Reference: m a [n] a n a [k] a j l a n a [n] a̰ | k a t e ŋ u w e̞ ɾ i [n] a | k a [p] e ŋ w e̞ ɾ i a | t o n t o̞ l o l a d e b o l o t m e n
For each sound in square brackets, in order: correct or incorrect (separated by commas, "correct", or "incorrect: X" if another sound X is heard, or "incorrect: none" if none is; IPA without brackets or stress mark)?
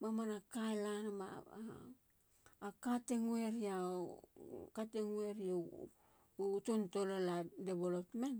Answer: incorrect: m, correct, incorrect: m, incorrect: none, incorrect: t